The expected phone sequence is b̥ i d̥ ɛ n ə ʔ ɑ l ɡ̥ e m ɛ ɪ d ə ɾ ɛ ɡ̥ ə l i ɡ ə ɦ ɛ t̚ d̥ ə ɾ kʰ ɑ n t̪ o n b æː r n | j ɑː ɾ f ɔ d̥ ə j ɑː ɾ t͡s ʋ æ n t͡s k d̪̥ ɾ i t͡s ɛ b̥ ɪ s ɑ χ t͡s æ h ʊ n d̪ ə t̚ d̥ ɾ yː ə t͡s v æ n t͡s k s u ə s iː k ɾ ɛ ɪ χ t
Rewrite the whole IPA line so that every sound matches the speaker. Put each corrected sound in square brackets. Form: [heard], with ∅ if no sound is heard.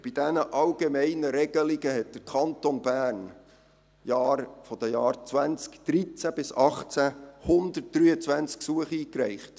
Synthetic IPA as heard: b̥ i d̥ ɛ n ə ʔ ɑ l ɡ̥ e m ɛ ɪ [n] ə ɾ ɛ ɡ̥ ə l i ɡ ə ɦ ɛ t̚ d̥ ə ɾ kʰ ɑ n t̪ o n b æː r n | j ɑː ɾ f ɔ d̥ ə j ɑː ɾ t͡s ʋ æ n t͡s k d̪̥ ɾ i t͡s [æ] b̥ ɪ s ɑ χ t͡s æ h ʊ n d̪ ə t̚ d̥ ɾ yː ə t͡s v æ n t͡s k s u ə [χ] iː k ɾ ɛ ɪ χ t